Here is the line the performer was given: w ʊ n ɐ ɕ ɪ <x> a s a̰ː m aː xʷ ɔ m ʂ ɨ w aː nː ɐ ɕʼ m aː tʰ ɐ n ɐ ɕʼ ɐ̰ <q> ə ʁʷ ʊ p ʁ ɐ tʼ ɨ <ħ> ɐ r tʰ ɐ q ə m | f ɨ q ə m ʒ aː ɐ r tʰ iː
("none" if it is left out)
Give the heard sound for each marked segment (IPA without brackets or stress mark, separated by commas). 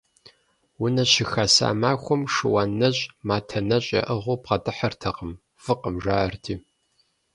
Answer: x, ʔ, ħ